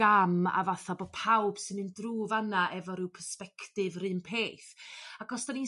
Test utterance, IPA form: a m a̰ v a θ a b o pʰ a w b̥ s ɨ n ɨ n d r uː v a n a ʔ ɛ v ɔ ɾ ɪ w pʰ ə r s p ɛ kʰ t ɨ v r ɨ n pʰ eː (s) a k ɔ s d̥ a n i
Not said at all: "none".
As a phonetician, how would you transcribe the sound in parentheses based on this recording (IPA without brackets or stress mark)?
θ